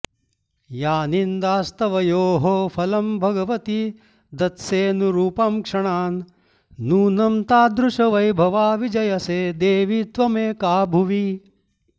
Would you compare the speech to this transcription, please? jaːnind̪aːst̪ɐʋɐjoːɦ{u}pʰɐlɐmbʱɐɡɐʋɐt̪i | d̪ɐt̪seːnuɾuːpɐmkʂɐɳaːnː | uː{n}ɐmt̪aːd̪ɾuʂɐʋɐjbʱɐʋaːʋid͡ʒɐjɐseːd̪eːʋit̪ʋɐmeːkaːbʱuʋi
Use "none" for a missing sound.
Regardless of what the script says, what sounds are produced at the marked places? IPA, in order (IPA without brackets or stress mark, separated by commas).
o, n